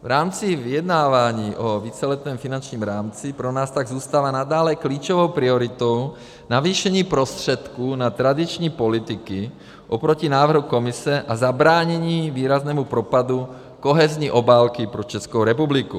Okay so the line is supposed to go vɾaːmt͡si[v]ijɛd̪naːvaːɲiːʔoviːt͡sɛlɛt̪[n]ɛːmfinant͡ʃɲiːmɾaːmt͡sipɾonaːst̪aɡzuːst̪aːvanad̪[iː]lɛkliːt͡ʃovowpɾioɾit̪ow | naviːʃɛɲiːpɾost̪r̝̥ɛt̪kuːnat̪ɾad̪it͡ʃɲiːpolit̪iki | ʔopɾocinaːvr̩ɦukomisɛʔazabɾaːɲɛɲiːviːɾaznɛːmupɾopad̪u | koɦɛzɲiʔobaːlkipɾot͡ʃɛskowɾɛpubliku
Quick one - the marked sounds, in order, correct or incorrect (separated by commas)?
correct, correct, incorrect